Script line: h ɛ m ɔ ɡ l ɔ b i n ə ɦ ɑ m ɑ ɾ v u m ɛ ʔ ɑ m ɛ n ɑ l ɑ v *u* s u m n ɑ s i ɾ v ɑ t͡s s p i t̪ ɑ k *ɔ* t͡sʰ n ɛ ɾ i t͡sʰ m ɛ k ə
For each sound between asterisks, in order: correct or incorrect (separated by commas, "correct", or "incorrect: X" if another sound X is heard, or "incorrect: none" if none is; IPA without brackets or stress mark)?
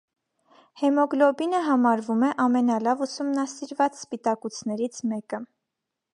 correct, incorrect: u